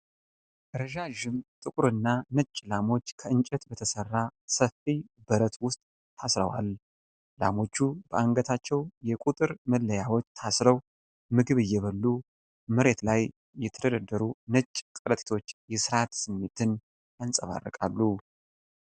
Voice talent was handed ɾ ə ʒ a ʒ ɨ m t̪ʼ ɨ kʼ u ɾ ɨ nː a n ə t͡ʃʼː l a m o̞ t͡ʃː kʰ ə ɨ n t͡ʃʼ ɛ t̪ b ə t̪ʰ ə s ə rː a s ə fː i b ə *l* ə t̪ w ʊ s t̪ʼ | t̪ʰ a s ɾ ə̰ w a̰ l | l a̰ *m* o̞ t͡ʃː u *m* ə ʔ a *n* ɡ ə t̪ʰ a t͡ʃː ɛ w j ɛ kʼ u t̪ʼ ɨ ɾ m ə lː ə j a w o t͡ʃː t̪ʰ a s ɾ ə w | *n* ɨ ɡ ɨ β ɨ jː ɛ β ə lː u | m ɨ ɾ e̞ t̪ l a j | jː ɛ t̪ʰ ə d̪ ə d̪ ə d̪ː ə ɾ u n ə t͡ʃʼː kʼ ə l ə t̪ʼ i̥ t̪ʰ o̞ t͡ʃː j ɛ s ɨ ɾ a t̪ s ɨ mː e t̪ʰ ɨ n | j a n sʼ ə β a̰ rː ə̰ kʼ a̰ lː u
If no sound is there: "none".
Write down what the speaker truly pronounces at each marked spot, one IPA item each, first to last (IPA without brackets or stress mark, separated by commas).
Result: ɾ, m, b, ŋ, m